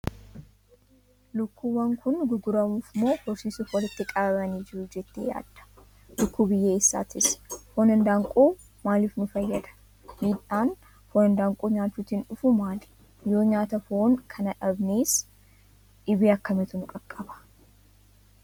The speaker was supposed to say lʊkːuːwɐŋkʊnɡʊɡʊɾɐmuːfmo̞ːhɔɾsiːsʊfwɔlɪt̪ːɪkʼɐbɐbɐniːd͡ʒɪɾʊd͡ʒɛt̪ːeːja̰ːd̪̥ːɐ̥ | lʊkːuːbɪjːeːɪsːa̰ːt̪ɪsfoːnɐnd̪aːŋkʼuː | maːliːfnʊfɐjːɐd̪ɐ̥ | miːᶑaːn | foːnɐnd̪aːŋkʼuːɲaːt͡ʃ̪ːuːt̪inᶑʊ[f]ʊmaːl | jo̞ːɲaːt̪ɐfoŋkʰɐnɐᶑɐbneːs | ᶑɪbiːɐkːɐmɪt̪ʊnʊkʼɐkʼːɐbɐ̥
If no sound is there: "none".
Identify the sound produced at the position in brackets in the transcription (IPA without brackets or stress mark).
f